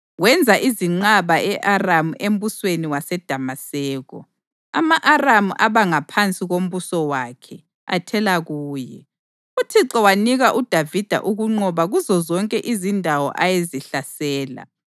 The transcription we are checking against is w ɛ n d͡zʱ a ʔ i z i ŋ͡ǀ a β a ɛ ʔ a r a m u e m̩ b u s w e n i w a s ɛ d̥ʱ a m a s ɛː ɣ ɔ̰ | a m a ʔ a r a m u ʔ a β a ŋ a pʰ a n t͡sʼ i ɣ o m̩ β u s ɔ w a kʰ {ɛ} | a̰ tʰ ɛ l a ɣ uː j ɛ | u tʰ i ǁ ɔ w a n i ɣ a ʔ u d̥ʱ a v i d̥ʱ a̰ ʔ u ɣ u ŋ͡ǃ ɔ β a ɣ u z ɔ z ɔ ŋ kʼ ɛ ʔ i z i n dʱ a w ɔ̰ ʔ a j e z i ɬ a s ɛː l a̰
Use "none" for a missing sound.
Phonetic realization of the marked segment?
ɛ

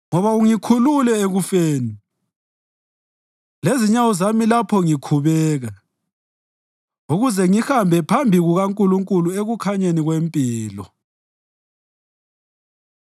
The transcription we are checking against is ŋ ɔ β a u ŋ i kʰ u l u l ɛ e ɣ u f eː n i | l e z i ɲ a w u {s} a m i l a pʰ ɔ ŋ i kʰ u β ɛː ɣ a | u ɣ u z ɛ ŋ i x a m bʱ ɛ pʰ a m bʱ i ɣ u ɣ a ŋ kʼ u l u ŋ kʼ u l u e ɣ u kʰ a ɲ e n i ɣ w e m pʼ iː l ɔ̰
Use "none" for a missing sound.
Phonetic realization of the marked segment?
z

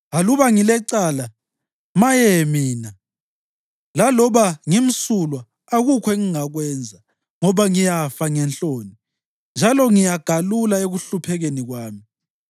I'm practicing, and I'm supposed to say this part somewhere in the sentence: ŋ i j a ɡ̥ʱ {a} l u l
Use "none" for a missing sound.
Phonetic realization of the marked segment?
a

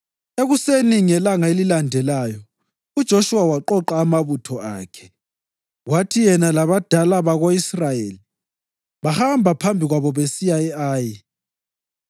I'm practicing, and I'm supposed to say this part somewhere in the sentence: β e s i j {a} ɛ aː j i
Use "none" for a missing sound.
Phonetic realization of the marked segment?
a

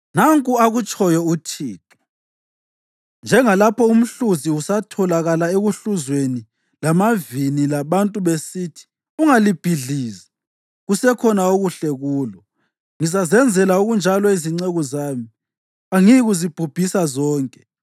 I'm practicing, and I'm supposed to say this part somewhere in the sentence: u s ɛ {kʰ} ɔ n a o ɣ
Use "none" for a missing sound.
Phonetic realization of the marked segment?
kʰ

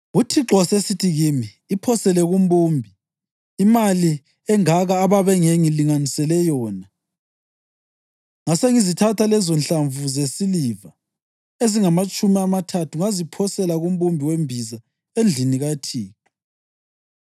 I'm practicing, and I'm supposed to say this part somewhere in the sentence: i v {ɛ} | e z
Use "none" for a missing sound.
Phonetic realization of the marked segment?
a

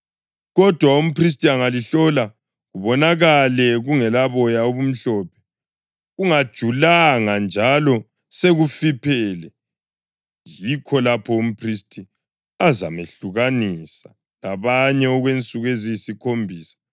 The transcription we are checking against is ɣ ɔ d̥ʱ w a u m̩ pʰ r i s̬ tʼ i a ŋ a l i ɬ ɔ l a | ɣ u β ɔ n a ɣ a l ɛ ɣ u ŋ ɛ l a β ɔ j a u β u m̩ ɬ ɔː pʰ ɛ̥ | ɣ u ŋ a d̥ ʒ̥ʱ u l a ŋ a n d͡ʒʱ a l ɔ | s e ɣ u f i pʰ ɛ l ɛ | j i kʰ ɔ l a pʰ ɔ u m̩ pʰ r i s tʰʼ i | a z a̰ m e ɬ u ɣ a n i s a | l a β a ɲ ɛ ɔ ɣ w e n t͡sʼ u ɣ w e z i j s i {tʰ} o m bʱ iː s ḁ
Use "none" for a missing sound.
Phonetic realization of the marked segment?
kʰ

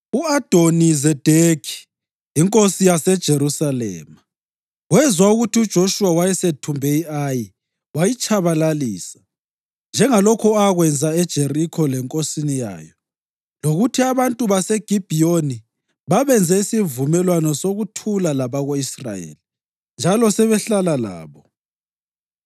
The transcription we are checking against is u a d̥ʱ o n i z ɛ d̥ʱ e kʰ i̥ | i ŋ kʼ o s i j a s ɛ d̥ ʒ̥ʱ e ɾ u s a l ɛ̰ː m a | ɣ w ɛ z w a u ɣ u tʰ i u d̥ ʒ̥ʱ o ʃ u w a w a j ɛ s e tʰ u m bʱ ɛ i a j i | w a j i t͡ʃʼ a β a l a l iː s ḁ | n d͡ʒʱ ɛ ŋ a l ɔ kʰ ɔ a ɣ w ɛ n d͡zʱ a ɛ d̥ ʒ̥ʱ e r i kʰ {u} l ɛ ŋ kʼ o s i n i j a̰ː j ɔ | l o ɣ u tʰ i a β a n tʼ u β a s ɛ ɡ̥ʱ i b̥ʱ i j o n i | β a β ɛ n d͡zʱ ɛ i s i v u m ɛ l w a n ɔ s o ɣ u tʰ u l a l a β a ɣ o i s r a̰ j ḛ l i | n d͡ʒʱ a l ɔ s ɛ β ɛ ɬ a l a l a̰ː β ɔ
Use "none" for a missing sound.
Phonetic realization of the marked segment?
ɔ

